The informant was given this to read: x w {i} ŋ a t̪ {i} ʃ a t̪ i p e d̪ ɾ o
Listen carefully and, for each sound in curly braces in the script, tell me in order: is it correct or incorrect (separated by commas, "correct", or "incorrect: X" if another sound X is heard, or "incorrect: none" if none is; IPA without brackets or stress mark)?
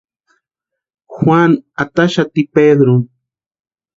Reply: incorrect: a, incorrect: a